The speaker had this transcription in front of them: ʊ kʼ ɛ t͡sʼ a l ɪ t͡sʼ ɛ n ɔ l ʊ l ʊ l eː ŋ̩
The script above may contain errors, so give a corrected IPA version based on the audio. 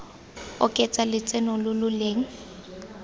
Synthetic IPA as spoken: ʊ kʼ ɛ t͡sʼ a l ɪ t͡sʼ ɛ n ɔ l ʊ l ʊ l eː ŋ̩